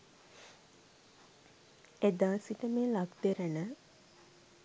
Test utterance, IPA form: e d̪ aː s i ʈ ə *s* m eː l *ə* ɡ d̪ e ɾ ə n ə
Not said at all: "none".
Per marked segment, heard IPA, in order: none, a

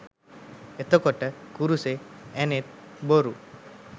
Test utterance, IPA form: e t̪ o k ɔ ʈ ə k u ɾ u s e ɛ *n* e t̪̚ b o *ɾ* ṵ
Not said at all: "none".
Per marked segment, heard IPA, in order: n, ɾ

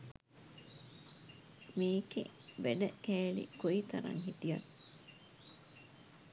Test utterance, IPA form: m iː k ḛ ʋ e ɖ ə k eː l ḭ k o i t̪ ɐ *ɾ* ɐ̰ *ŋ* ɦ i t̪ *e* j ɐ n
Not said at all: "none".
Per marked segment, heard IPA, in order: ɾ, ŋ, i

